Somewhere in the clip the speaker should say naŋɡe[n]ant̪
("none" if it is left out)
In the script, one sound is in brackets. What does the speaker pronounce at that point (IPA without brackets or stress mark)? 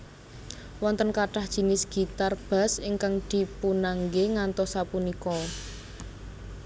ŋ